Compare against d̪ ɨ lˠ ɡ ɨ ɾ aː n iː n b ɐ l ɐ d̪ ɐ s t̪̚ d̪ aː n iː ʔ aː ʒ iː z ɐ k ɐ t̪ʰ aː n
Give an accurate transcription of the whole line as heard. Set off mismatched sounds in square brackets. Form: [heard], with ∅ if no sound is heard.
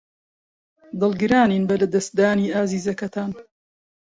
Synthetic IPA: d̪ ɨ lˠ ɡ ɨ ɾ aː n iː n b ɐ l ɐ d̪ ɐ s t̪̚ d̪ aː n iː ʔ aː [z] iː z ɐ k ɐ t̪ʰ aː n